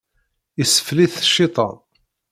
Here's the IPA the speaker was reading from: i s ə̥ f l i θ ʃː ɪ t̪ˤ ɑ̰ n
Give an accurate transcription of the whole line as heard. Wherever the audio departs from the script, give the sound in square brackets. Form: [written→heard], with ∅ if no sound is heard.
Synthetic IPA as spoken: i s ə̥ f l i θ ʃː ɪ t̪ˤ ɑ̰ n